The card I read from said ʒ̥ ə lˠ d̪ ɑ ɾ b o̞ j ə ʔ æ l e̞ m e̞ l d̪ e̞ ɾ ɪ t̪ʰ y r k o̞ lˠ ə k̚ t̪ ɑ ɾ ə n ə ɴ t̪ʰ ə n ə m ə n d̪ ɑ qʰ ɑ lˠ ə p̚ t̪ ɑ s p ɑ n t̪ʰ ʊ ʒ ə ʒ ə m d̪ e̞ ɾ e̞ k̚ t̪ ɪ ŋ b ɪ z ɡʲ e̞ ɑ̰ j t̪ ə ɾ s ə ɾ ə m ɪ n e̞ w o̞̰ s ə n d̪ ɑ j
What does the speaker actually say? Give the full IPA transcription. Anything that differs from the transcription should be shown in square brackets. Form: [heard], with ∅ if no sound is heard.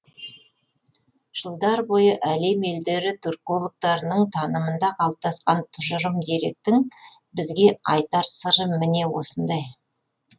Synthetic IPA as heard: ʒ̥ ə lˠ d̪ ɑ ɾ b o̞ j ə ʔ æ l e̞ m e̞ l d̪ e̞ ɾ ɪ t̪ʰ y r k o̞ lˠ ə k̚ t̪ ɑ ɾ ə n ə ɴ t̪ʰ [ɑ] n ə m ə n d̪ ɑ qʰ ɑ lˠ ə p̚ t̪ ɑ s [q] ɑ n t̪ʰ ʊ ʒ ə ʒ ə m d̪ e̞ ɾ e̞ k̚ t̪ ɪ ŋ b ɪ z ɡʲ e̞ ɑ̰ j t̪ [ɑ] ɾ s ə ɾ ə m ɪ n e̞ w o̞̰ s ə n d̪ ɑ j